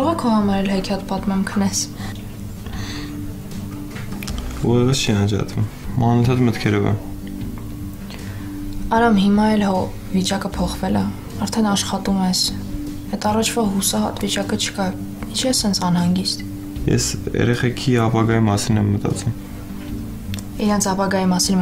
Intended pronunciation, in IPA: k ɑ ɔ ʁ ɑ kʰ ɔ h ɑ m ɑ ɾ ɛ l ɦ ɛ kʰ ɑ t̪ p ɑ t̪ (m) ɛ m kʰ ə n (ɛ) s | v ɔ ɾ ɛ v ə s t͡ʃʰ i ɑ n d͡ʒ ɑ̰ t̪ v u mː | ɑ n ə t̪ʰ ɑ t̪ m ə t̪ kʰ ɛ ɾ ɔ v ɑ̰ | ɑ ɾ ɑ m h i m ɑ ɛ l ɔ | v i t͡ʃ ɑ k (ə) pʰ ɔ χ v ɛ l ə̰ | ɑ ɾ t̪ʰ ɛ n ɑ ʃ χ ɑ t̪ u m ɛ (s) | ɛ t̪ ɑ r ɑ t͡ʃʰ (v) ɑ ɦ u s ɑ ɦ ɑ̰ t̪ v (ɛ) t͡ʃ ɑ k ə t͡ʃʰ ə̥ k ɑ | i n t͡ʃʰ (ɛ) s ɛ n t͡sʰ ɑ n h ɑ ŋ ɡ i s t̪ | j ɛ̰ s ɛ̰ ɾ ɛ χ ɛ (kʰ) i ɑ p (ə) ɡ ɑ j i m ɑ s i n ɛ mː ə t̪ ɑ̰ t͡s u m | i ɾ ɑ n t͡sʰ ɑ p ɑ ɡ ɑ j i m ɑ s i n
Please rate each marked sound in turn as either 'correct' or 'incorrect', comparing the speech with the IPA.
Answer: correct, correct, correct, correct, correct, incorrect, correct, correct, incorrect

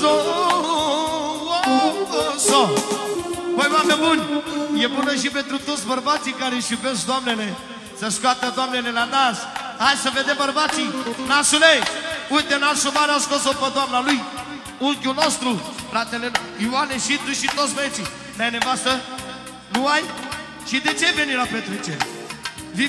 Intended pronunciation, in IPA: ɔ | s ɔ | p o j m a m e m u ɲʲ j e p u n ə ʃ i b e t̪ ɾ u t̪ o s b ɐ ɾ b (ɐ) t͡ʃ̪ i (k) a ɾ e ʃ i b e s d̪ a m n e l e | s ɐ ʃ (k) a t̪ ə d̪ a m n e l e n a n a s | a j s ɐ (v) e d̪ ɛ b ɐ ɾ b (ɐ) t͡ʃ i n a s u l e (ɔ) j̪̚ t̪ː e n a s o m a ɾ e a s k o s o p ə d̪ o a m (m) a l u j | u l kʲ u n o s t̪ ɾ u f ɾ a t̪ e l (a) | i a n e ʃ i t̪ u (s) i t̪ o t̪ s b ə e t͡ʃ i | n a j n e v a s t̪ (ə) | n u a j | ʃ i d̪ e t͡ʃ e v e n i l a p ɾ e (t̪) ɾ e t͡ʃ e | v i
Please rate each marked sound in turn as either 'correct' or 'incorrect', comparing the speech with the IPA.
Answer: incorrect, correct, correct, correct, incorrect, incorrect, incorrect, incorrect, incorrect, correct, correct

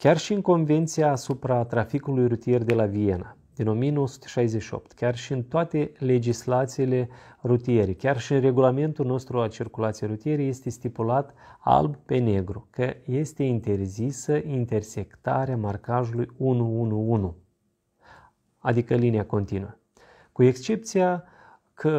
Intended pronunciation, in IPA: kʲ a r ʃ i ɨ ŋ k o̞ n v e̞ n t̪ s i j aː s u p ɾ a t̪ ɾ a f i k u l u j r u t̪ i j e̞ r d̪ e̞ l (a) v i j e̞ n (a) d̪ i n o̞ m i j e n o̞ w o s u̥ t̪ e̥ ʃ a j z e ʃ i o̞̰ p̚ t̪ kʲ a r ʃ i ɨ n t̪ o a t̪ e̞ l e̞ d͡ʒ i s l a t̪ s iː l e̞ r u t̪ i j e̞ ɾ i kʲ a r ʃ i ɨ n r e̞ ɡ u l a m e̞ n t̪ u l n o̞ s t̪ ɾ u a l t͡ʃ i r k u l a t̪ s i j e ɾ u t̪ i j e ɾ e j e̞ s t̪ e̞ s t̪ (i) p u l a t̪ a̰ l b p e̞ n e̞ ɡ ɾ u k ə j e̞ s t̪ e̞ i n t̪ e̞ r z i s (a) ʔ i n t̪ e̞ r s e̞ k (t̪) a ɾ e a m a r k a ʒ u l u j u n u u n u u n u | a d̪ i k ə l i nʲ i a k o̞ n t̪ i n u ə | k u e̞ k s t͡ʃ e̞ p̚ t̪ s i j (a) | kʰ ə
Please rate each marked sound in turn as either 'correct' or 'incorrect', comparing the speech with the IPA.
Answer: correct, correct, correct, incorrect, correct, correct

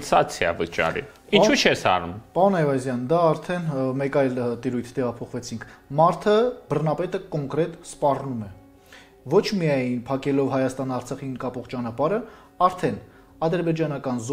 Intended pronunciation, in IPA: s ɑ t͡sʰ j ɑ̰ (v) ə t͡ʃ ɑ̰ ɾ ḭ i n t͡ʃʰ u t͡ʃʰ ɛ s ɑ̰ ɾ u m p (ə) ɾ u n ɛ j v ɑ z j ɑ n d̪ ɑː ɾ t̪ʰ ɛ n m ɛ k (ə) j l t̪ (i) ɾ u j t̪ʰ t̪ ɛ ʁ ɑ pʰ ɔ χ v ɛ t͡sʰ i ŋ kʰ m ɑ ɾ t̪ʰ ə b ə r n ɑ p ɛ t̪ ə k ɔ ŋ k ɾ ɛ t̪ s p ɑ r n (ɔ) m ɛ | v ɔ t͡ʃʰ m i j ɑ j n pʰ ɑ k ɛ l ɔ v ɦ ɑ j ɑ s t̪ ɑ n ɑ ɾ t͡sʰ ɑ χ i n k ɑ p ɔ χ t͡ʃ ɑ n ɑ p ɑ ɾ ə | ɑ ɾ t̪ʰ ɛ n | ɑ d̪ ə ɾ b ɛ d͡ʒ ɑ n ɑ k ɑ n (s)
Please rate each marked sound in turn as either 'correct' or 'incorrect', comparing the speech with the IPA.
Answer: correct, incorrect, incorrect, correct, incorrect, incorrect

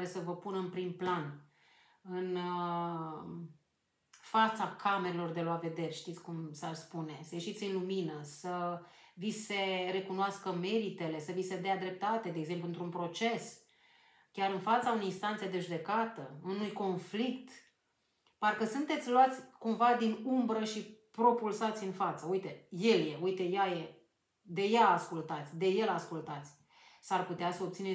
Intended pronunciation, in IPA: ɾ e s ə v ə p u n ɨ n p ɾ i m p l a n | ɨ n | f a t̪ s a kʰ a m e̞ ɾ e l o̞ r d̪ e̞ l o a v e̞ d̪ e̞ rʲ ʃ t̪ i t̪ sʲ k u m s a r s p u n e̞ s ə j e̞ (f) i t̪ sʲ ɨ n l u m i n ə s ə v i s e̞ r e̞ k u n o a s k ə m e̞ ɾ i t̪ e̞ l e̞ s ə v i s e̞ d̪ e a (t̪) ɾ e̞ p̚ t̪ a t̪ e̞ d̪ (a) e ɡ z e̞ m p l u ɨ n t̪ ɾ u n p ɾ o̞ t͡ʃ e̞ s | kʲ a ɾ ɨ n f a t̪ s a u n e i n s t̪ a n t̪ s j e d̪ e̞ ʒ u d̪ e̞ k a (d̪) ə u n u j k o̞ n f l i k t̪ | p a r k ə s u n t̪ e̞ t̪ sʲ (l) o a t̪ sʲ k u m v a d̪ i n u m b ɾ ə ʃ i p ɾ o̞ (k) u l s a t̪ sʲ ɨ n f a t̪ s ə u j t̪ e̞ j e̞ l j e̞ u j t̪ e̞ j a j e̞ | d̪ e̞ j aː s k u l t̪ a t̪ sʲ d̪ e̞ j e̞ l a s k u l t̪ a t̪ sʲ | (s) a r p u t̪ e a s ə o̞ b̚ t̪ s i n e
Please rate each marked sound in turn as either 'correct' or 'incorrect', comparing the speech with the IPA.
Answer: incorrect, incorrect, incorrect, incorrect, correct, incorrect, correct

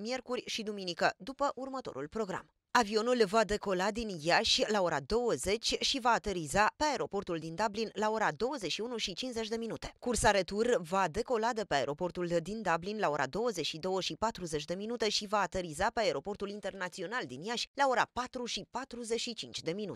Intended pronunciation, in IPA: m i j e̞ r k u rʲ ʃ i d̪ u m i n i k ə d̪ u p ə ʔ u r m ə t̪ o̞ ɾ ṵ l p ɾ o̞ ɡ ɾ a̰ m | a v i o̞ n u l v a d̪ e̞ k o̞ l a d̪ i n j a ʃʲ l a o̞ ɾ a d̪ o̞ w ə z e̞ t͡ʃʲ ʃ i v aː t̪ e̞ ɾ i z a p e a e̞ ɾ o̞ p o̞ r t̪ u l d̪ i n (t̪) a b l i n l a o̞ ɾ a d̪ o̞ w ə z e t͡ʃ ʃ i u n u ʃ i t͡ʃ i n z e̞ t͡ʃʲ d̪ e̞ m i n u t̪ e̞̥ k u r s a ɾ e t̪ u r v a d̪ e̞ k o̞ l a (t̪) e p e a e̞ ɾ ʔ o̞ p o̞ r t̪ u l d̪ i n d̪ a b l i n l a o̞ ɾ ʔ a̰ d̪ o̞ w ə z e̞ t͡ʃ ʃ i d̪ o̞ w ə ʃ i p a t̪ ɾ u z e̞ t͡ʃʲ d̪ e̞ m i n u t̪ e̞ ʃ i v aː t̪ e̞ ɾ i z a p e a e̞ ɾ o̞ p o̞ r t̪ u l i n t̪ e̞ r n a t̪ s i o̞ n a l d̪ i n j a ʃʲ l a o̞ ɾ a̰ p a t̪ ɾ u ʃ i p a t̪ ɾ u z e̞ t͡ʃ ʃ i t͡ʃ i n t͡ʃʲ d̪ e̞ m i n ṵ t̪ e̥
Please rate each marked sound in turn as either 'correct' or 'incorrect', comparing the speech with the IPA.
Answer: incorrect, incorrect

